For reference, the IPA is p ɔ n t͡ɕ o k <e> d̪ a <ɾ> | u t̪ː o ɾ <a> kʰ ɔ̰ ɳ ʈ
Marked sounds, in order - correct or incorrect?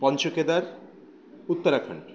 correct, correct, correct

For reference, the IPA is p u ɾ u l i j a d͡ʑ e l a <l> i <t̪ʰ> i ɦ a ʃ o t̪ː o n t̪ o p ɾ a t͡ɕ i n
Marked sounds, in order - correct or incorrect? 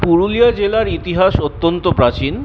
incorrect, incorrect

